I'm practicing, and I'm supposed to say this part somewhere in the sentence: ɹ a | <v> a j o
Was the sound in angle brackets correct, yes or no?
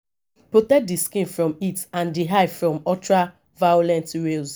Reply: yes